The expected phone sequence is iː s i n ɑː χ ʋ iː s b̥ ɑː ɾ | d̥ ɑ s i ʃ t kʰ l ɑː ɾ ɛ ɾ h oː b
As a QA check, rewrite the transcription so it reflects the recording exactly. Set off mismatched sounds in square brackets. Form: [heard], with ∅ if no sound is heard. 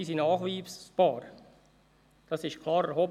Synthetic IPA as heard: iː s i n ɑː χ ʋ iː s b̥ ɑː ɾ | d̥ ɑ s [ɪ] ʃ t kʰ l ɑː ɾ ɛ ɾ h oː b

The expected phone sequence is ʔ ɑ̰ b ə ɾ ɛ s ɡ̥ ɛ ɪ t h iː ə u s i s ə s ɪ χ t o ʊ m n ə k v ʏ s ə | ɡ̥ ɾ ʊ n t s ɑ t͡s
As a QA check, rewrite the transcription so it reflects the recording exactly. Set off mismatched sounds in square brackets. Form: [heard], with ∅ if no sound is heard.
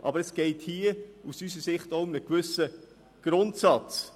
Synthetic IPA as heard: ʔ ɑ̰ b ə ɾ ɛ s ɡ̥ ɛ ɪ t h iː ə u s [y] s ə s ɪ χ t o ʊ m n ə k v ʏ s ə | ɡ̥ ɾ ʊ n t s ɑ t͡s

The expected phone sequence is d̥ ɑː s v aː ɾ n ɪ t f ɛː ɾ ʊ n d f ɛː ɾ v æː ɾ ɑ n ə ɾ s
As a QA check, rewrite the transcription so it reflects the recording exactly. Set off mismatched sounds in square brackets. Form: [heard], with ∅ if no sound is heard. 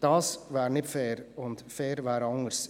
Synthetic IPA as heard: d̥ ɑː s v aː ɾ n ɪ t f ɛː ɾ ʊ n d f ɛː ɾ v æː ɾ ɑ [ŋ] ə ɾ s

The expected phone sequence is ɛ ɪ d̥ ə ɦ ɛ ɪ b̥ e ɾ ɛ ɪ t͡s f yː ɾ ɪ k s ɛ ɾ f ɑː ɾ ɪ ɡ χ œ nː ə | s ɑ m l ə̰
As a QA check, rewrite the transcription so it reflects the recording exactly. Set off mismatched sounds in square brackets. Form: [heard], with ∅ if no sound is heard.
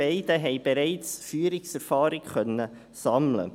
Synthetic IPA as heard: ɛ ɪ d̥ ə ɦ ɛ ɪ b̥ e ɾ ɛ ɪ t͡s f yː ɾ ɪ k s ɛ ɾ f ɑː ɾ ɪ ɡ χ œ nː ə | s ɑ m l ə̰

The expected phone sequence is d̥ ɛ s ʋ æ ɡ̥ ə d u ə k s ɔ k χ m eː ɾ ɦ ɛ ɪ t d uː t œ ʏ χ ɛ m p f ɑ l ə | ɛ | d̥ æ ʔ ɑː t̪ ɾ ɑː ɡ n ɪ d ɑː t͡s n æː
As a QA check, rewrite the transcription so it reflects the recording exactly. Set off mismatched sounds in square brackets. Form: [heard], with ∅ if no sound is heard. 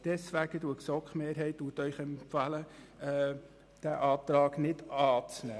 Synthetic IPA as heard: d̥ ɛ s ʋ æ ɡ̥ ə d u ə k s ɔ k χ m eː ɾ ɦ ɛ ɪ t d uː t œ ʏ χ ɛ m p f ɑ l ə | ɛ | d̥ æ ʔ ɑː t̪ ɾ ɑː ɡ n ɪ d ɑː t͡s n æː

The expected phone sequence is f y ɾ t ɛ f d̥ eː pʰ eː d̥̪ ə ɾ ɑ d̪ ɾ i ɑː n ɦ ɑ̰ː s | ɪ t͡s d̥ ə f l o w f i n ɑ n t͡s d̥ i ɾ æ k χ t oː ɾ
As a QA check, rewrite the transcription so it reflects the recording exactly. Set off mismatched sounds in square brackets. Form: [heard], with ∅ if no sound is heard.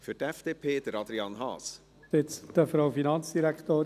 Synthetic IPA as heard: f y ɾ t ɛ f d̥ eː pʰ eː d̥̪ ə ɾ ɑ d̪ ɾ i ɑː n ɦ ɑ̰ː s | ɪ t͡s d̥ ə f [ɾ] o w f i n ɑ n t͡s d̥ i ɾ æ k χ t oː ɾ

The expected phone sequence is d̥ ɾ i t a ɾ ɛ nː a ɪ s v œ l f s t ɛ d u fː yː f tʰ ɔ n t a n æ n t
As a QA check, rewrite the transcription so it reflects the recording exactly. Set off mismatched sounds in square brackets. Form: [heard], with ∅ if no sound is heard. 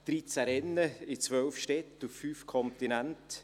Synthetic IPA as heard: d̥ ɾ i [t͡s] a ɾ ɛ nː [ə] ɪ [t͡s] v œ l f [ʃ] t ɛ [t] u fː yː f [kʰ] ɔ n t [i] n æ n t

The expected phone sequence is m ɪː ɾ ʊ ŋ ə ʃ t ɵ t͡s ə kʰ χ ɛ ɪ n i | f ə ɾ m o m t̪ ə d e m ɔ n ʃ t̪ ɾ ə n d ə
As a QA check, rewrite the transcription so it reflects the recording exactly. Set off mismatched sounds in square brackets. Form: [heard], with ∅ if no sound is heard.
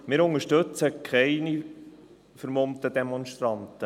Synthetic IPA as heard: m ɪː ɾ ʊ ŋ ə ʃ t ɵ t͡s ə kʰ χ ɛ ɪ n i | f ə ɾ m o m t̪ ə d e m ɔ n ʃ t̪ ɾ [ɑ] n [t] ə

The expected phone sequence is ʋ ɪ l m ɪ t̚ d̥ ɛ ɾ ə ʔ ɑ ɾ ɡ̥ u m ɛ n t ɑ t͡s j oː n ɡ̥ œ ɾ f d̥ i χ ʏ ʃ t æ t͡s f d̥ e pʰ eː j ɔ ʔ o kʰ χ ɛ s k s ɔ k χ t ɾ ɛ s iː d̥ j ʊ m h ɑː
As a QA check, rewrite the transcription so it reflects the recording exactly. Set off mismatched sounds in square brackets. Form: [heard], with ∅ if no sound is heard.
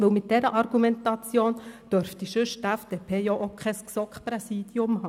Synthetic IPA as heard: ʋ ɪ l m ɪ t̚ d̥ ɛ ɾ ə ʔ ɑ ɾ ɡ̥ u m ɛ n t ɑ t͡s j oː n [d̥] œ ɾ f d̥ i [ʃ] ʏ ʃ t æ [∅] f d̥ e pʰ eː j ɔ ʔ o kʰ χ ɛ s k s ɔ k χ [p] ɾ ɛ s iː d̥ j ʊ m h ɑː

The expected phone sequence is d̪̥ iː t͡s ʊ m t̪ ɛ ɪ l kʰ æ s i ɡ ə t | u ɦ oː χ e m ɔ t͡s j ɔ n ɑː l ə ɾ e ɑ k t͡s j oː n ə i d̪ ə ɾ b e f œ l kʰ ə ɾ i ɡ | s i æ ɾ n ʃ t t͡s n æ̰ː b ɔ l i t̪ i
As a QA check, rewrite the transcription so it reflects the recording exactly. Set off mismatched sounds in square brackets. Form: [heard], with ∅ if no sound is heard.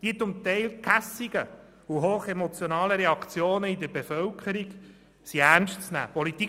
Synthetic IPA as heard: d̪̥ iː t͡s ʊ m t̪ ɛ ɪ l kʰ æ s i ɡ ə [∅] | u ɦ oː χ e m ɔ t͡s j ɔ n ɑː l ə ɾ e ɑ k t͡s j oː n ə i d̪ ə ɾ b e f œ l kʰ ə ɾ i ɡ | s i æ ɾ n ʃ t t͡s n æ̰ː [p] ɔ l i t̪ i

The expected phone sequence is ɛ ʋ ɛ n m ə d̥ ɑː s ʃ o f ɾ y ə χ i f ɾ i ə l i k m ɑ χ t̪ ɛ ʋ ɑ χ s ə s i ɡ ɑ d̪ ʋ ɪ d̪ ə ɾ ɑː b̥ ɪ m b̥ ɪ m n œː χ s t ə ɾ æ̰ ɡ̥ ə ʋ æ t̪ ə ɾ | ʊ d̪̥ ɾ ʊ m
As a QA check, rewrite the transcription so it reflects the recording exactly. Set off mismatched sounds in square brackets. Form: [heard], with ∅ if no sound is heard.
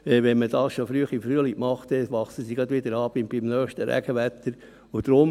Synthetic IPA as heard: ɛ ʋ ɛ n m ə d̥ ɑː s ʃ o f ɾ y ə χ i f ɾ [y] ə l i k m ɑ χ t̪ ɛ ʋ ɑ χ s ə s i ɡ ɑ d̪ ʋ ɪ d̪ ə ɾ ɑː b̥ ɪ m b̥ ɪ m n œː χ [ʃ] t ə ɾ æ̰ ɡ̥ ə ʋ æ t̪ ə ɾ | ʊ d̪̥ ɾ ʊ m

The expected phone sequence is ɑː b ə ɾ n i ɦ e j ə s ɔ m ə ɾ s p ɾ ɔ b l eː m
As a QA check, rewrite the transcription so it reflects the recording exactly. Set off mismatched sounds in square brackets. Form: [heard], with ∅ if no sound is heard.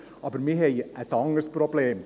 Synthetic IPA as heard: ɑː b ə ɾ [m] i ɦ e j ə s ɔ [ŋ] ə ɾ s p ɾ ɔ b l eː m

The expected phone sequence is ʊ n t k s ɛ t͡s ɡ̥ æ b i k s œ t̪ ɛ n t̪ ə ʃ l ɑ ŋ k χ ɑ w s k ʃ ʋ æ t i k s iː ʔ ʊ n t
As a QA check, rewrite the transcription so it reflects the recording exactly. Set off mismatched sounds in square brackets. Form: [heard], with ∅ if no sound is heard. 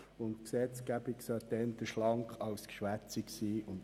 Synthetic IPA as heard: ʊ n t k s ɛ t͡s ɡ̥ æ b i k s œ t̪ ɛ n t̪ ə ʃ l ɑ ŋ k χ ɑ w s k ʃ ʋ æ [t͡s] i k s iː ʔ ʊ n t

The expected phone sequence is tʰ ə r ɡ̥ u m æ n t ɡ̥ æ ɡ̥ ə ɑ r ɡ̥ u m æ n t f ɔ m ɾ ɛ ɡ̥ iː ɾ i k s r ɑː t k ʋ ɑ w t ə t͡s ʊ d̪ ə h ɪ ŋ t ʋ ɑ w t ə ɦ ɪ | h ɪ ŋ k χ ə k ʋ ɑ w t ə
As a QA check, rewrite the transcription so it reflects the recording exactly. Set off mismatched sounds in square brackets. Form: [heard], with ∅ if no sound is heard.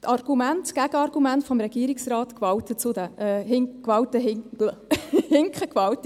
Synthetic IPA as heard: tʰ [ɑ] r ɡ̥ u m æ n t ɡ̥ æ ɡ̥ ə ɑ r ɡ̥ u m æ n t f ɔ m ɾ ɛ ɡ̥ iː ɾ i k s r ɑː t k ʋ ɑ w t ə t͡s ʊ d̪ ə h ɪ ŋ [k] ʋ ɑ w t ə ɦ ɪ | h ɪ ŋ k χ ə k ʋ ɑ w t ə

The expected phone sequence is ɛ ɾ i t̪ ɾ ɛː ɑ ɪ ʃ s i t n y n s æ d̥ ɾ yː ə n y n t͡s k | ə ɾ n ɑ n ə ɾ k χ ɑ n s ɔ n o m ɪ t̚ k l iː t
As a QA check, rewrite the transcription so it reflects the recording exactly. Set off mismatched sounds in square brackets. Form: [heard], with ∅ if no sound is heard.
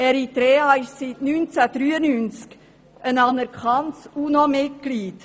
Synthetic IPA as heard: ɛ ɾ i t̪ ɾ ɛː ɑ ɪ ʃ s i t n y n [t͡s] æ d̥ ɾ yː ə n y n t͡s k | ə [∅] n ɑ n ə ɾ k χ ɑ n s [u] n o m ɪ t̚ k l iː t

